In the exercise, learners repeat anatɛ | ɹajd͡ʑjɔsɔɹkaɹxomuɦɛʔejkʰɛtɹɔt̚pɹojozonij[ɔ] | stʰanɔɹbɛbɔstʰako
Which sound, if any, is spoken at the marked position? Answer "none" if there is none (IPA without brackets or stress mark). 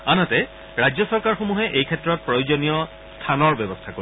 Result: ɔ